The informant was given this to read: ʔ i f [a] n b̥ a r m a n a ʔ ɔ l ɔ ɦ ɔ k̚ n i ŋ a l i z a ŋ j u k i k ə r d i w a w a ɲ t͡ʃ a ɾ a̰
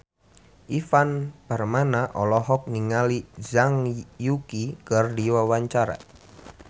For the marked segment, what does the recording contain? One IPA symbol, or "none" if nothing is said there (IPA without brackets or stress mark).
a